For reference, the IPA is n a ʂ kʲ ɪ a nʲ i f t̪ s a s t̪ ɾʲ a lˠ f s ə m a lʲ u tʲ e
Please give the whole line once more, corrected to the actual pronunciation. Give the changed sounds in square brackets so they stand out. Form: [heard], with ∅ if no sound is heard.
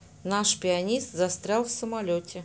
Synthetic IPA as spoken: n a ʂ [pʲ] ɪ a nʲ i [s] t̪ [z] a s t̪ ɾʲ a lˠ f s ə m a lʲ [o] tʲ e